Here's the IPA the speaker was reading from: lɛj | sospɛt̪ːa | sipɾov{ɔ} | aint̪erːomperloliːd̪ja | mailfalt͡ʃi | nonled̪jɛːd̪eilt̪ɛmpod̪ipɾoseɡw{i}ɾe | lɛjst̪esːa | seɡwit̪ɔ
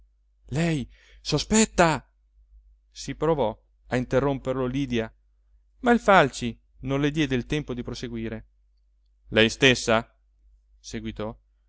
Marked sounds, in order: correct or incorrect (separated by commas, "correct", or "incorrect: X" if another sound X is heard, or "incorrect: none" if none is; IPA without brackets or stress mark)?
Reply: correct, incorrect: iː